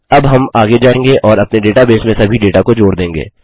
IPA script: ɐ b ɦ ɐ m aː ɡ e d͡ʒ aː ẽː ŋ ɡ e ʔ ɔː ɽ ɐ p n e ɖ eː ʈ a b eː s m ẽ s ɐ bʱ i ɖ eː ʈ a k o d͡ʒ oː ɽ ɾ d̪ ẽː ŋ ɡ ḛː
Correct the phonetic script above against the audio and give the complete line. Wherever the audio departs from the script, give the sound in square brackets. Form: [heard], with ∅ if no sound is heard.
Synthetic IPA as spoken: ɐ b ɦ ɐ m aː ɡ e d͡ʒ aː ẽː ŋ ɡ e ʔ ɔː [ɾ] ɐ p n e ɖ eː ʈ a b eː s m ẽ s ɐ bʱ i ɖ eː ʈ a k o d͡ʒ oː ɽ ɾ d̪ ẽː ŋ ɡ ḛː